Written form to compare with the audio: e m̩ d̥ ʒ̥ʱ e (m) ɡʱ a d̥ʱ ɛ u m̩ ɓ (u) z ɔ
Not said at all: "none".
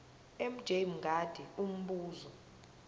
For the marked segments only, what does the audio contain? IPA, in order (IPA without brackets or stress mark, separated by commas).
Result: m, uː